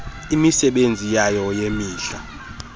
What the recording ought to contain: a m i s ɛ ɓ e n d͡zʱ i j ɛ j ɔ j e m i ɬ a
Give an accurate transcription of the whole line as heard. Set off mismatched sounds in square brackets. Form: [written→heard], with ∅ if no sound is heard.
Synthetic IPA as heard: [a→i] m i s ɛ ɓ e n d͡zʱ i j [ɛ→a] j ɔ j e m [i→iː] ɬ a